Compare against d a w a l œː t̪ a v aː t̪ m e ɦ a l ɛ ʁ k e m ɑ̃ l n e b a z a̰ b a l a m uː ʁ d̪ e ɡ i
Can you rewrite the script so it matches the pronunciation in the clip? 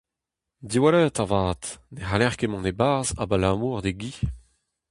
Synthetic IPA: d i w a l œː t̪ a v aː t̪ n e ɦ a l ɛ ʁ k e m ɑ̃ n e b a z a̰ b a l a m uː ʁ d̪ e ɡ i